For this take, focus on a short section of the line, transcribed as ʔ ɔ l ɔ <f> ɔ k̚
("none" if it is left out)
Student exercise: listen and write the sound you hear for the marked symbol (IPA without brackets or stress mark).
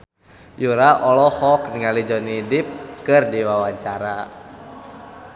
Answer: h